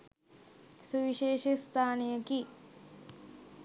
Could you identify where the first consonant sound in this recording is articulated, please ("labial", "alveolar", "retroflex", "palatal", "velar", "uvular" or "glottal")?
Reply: alveolar